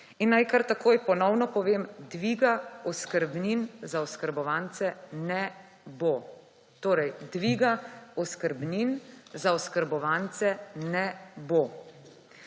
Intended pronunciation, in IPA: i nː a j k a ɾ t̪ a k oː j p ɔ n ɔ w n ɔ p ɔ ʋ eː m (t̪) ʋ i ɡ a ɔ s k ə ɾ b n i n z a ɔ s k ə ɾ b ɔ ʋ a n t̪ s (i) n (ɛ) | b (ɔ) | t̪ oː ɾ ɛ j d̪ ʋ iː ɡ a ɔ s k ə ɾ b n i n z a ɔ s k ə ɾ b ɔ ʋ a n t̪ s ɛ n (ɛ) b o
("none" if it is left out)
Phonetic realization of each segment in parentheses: d̪, ɛ, ɛ, o, ɛ

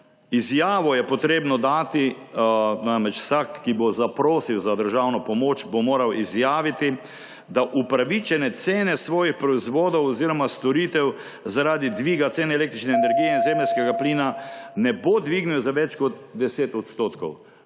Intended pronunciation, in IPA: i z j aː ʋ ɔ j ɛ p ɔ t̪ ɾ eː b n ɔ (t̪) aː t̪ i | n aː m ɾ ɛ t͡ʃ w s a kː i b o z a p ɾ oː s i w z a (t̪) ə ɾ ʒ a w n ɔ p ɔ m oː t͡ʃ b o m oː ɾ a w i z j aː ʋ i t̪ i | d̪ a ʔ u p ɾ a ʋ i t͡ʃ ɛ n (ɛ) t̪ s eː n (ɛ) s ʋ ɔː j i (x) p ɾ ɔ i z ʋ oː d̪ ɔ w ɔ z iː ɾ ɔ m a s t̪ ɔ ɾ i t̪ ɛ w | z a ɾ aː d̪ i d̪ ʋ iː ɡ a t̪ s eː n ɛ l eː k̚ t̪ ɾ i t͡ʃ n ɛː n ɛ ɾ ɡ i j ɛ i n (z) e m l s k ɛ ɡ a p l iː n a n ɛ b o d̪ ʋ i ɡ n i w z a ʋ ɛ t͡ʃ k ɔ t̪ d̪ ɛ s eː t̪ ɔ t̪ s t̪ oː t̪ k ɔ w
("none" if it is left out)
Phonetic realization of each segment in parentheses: d̪, d̪, ɛ, ɛ, x, z

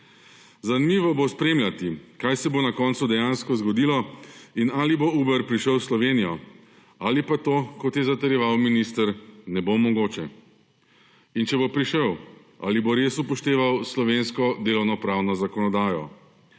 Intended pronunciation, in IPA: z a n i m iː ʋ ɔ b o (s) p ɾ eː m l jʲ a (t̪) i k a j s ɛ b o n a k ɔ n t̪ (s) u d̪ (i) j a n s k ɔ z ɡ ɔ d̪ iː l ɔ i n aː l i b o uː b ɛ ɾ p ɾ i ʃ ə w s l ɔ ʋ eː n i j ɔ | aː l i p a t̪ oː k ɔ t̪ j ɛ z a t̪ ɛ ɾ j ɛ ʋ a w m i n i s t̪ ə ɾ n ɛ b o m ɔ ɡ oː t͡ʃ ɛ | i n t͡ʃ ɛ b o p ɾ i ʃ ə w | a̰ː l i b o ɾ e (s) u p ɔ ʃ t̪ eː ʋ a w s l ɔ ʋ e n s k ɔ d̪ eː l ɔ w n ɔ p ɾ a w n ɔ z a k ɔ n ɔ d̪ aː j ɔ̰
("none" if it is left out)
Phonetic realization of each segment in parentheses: s, t̪, s, ɛ, s

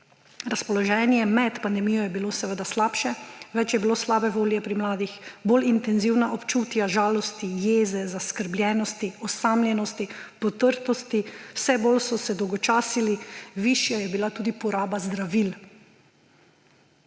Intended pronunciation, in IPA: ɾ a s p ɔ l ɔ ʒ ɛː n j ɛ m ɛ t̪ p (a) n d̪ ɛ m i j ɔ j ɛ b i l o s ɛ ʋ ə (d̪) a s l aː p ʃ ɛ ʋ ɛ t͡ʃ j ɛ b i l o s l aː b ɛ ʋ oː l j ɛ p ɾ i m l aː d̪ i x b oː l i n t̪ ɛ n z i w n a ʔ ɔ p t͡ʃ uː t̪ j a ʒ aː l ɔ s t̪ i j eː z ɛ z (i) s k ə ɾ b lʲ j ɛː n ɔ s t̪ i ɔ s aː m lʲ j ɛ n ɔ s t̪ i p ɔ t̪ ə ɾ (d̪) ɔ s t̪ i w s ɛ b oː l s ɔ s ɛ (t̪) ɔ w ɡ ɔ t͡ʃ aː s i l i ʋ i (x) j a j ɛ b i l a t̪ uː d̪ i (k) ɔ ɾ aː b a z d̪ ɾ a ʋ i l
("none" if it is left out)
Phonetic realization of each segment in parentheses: a, d̪, a, t̪, d̪, ʃ, p

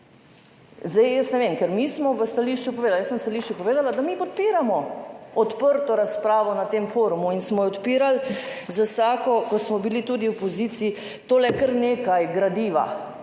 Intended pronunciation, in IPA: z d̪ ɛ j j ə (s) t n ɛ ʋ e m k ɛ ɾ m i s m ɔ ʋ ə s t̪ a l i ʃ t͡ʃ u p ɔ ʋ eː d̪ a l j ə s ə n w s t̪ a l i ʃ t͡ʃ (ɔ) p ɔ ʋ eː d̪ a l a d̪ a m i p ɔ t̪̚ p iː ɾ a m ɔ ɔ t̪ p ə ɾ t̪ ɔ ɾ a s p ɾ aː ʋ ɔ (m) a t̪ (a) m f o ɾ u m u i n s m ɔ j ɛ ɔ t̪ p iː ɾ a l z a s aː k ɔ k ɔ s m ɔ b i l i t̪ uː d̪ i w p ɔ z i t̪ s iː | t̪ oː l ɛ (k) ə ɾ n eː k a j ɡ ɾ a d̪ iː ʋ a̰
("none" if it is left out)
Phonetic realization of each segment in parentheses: s, u, n, e, k

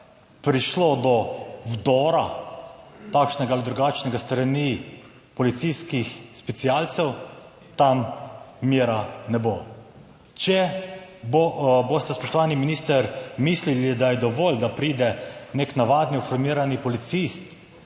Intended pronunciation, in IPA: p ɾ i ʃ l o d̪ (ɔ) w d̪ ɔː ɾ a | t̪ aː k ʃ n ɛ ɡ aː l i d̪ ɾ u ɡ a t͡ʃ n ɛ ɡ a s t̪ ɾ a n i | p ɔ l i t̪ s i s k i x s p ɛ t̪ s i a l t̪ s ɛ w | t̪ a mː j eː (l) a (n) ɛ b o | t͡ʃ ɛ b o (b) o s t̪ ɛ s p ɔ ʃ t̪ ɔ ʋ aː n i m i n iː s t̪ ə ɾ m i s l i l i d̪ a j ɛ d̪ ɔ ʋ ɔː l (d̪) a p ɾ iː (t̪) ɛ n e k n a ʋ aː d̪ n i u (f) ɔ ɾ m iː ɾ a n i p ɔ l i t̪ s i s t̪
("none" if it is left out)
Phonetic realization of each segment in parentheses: ɔ, ɾ, n, b, d̪, d̪, f

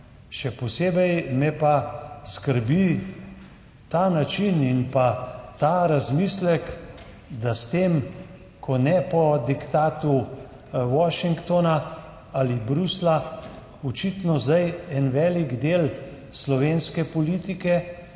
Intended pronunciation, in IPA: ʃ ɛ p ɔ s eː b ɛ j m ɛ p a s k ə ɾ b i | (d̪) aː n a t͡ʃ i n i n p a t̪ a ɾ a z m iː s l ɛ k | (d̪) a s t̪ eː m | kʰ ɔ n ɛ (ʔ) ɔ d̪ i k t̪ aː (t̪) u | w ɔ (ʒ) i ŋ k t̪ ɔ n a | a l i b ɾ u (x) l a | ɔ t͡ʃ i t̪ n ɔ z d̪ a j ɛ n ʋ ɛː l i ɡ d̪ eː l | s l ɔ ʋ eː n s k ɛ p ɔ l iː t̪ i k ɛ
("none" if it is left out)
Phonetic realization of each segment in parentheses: t̪, d̪, p, t̪, ʃ, s

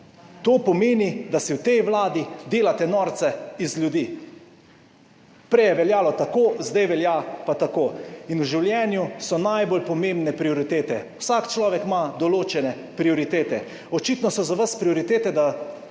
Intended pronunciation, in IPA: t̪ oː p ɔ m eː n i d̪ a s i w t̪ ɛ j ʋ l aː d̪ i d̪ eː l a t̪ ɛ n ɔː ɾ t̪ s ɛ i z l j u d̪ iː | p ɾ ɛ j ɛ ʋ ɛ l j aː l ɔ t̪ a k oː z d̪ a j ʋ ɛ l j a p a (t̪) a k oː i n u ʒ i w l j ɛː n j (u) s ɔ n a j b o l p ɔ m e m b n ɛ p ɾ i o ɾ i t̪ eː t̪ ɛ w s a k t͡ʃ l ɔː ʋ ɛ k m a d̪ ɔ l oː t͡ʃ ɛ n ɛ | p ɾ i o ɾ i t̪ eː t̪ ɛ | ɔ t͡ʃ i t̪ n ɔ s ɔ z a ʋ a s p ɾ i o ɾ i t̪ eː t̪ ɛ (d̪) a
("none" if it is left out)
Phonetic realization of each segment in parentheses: t̪, u, d̪

